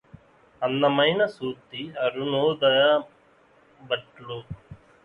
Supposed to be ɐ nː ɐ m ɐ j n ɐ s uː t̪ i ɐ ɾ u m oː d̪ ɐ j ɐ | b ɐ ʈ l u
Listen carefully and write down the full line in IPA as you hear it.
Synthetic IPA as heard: ɐ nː ɐ m ɐ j n ɐ s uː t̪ i ɐ ɾ u n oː d̪ ɐ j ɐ | b ɐ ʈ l u